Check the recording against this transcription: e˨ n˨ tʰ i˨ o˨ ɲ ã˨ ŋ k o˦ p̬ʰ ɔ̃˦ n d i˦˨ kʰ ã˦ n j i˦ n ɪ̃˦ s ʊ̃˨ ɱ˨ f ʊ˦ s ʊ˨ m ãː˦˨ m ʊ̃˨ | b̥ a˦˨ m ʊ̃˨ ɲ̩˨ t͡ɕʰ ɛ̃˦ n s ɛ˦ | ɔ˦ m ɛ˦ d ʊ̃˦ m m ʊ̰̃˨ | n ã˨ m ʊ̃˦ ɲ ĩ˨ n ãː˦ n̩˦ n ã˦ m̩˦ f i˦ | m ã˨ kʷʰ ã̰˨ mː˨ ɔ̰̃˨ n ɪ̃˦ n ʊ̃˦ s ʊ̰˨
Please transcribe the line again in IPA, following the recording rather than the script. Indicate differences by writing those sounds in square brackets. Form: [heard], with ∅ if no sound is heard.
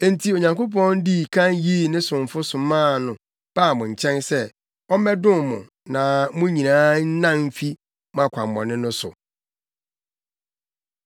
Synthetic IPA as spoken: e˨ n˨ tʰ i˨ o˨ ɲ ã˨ ŋ k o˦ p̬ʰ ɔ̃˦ n d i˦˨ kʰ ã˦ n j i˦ n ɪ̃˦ s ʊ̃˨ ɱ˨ f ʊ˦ s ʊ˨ m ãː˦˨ [n] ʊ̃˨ | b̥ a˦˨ m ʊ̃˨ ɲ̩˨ t͡ɕʰ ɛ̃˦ n s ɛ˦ | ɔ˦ m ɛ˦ d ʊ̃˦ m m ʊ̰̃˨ | n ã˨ m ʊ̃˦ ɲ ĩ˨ n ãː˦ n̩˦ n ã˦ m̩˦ f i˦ | m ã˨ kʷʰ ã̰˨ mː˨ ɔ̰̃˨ n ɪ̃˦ n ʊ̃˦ s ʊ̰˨